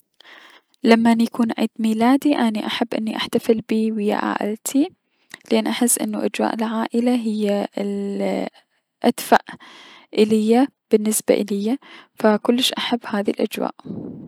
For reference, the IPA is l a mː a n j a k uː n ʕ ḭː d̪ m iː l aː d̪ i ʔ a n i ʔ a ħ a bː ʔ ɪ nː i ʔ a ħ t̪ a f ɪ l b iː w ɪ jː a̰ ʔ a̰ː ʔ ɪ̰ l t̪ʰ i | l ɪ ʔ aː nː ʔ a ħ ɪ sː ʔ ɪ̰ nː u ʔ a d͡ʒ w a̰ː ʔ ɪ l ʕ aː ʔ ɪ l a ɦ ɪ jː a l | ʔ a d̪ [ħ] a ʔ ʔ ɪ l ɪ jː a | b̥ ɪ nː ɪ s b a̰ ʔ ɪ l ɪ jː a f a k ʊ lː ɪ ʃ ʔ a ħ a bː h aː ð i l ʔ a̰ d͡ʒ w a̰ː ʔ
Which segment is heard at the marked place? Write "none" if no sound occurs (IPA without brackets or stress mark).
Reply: f